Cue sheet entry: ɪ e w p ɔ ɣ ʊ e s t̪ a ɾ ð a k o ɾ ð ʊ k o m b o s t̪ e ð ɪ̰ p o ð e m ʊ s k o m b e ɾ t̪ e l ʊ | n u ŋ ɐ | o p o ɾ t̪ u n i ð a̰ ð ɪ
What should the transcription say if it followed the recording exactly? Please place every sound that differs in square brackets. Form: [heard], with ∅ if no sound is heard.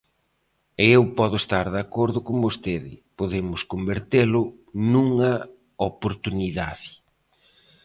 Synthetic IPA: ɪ e w p ɔ [ð] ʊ e s t̪ a ɾ ð a k o ɾ ð ʊ k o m b o s t̪ e ð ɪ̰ p o ð e m ʊ s k o m b e ɾ t̪ e l ʊ | n u ŋ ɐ | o p o ɾ t̪ u n i ð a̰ ð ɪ